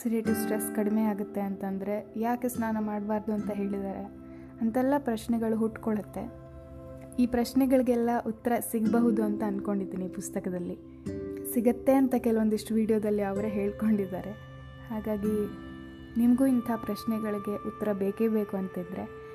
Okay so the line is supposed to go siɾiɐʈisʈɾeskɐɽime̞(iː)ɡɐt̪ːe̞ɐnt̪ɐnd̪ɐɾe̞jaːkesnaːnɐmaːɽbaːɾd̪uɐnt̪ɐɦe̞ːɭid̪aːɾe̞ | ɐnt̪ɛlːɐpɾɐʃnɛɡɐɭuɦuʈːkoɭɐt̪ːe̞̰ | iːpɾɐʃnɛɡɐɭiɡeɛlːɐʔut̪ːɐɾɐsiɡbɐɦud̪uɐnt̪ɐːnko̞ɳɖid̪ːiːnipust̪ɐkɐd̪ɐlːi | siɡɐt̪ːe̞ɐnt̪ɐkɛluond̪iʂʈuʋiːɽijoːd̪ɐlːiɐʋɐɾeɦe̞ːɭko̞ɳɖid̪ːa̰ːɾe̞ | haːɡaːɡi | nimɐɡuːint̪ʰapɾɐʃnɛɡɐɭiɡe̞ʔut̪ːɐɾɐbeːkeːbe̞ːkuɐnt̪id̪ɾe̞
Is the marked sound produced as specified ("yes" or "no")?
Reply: no